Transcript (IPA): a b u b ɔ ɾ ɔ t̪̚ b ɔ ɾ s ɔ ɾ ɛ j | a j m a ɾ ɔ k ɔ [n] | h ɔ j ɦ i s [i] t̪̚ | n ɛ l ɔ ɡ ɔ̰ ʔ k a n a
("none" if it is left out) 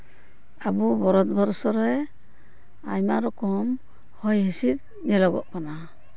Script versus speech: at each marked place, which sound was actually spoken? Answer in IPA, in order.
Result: m, i

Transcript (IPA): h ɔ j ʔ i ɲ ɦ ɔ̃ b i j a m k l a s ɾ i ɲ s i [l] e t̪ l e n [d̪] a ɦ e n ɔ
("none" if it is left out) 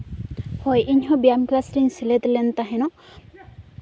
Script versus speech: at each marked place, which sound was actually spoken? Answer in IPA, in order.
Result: l, t̪

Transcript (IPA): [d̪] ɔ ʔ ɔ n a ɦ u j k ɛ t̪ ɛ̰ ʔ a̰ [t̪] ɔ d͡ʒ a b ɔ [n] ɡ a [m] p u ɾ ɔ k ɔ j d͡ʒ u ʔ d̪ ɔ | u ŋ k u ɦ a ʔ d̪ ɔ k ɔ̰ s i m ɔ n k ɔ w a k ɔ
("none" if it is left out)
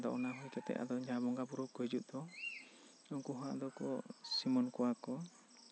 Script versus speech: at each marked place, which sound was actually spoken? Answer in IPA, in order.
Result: d̪, d̪, ŋ, none

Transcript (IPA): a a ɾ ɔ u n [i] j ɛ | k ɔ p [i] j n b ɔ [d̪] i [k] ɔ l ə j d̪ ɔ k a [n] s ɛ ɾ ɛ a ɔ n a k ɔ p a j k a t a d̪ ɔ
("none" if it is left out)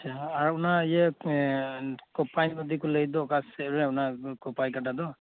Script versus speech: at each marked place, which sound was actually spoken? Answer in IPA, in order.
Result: a, a, d̪, k, none

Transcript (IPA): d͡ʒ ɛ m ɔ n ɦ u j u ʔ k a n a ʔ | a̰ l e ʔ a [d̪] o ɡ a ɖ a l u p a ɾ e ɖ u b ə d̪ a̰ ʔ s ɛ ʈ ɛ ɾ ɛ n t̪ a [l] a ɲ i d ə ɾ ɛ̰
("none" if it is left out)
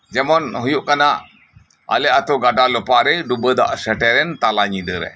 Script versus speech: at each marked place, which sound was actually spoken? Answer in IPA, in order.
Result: t̪, l

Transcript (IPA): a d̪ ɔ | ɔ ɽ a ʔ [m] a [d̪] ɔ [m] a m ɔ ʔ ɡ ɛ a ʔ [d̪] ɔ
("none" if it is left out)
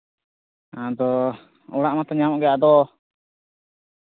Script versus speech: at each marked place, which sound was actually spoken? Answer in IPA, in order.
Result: m, t̪, ɲ, d̪

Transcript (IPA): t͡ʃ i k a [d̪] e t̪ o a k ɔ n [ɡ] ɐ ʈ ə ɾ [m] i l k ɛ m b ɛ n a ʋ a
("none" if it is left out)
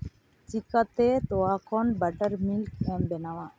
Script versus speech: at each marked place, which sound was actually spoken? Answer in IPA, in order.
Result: t̪, b, m

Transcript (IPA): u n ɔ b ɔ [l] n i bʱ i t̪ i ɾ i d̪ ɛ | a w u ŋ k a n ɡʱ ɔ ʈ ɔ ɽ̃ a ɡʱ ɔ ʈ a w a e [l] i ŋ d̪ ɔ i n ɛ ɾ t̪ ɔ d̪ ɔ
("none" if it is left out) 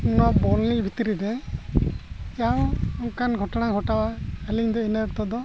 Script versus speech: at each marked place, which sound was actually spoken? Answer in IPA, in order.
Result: l, l

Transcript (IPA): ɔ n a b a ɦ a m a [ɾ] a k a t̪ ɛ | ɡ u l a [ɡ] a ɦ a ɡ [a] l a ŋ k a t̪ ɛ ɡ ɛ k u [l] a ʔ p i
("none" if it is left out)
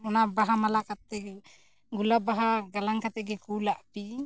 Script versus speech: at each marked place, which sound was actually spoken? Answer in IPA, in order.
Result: l, b, a, l

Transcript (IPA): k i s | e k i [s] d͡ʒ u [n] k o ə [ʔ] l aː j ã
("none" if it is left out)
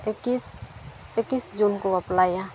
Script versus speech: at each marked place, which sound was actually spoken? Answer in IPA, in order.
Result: s, n, p

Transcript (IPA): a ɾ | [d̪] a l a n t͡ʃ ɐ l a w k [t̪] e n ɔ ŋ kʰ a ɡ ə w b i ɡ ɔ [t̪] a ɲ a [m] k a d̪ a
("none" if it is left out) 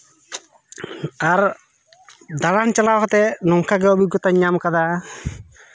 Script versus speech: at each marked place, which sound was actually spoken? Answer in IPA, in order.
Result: d̪, t̪, t̪, m

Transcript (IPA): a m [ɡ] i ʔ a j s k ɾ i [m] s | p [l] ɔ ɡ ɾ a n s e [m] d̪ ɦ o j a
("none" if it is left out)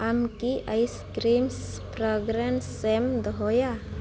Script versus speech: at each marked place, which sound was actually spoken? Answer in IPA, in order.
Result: k, m, ɾ, m

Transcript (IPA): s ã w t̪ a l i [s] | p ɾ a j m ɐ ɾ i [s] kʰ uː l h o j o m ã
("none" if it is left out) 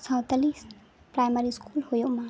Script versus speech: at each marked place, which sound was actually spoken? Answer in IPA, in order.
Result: s, s

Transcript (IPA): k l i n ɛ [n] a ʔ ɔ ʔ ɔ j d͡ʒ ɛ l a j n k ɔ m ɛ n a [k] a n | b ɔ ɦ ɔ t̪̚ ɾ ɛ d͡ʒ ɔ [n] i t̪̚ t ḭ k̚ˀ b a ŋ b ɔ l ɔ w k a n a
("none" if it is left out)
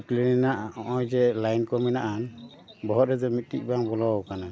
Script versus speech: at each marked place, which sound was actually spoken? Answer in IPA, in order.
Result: n, ʔ, m

